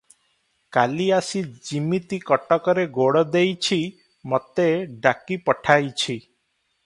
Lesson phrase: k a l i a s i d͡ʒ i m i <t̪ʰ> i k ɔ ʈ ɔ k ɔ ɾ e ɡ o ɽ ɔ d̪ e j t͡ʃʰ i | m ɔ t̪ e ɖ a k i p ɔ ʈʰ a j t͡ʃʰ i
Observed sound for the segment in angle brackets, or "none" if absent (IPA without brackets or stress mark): t̪